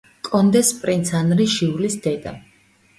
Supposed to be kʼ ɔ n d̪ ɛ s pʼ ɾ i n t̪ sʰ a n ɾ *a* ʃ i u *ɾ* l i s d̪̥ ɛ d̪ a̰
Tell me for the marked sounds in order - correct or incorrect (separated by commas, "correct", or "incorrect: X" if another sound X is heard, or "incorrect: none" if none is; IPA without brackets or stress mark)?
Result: incorrect: i, incorrect: none